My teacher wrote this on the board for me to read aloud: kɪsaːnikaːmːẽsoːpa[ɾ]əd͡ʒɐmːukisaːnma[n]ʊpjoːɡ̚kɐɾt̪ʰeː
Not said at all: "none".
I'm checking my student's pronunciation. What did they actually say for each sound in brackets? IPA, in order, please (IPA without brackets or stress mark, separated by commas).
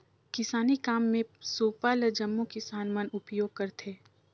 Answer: l, n